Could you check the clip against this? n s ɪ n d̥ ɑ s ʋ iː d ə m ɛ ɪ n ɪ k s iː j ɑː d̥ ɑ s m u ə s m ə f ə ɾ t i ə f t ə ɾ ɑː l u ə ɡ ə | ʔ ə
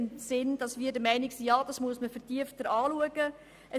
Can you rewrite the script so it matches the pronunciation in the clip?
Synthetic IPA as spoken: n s ɪ n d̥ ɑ s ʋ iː d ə m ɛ ɪ n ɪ k s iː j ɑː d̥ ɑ s m u ə s m ə f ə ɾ t i ə f t ə ɾ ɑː l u ə ɡ ə | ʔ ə